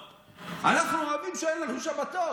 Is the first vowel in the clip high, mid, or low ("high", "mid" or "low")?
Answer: low